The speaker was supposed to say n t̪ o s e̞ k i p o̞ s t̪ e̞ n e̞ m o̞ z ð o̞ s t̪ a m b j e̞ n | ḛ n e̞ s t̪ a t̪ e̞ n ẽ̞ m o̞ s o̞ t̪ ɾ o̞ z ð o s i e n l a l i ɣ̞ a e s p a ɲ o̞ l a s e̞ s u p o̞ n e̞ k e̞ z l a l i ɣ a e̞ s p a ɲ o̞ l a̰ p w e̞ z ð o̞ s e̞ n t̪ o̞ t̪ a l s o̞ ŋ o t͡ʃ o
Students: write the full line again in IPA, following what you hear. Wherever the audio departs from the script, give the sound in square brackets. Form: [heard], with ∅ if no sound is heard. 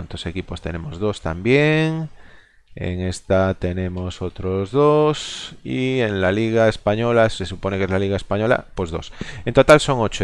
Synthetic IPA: n t̪ o s e̞ k i p o̞ s t̪ e̞ n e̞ m o̞ z ð o̞ s t̪ a m b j e̞ [ŋ] | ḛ [ŋ] e̞ s t̪ a t̪ e̞ n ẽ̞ m o̞ s o̞ t̪ ɾ o̞ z ð o s i e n l a l i ɣ̞ a e s p a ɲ o̞ l a s e̞ s u p o̞ n e̞ k e̞ z l a l i ɣ a e̞ s p a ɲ o̞ l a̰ p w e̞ z ð o̞ s e̞ n t̪ o̞ t̪ a l s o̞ ŋ o t͡ʃ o